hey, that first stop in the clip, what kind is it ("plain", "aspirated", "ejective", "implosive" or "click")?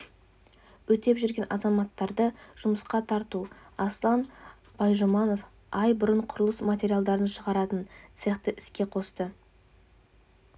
plain